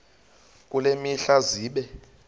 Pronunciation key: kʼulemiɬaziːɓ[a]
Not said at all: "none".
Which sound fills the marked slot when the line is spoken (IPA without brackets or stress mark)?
ɛ